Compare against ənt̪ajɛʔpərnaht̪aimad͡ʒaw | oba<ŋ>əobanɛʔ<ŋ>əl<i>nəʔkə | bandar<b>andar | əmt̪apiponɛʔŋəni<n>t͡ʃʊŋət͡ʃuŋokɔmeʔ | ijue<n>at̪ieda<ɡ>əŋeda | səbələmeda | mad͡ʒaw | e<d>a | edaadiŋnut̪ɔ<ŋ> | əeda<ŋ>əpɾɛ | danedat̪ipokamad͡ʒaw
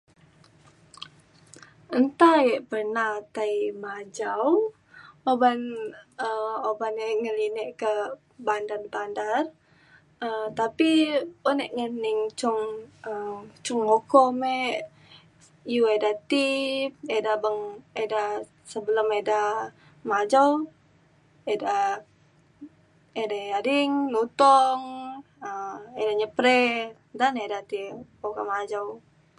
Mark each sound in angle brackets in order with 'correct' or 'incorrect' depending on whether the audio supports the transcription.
incorrect, correct, correct, correct, incorrect, incorrect, incorrect, correct, correct, incorrect

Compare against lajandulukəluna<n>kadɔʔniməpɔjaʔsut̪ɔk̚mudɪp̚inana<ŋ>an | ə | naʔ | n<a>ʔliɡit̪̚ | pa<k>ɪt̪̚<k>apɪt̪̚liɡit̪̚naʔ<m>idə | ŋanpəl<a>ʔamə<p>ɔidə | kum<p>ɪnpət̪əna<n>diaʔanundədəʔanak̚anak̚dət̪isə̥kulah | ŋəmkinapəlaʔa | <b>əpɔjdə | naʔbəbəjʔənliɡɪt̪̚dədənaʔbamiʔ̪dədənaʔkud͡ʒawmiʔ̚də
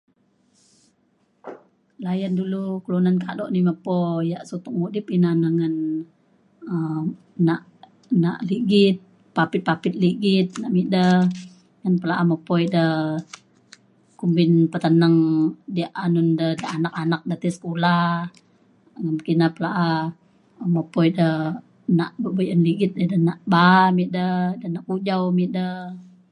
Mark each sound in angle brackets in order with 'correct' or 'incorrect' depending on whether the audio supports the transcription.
correct, correct, correct, incorrect, incorrect, correct, correct, correct, incorrect, incorrect, incorrect

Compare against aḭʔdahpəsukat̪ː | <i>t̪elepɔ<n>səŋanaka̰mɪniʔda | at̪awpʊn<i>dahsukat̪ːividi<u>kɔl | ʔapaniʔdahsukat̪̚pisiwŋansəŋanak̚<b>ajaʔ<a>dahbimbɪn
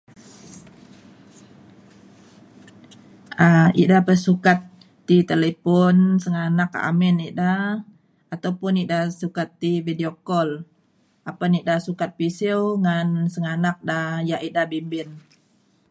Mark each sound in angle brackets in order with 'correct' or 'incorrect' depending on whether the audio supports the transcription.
correct, correct, correct, incorrect, incorrect, incorrect

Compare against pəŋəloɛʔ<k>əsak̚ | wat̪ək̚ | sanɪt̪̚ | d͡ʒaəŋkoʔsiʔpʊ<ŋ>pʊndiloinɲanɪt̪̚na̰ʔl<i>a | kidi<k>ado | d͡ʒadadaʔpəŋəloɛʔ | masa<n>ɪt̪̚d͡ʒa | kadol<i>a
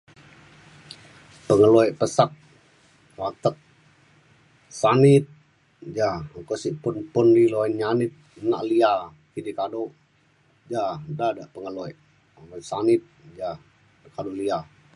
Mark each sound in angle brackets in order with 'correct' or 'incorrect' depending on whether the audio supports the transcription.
incorrect, incorrect, correct, correct, correct, correct

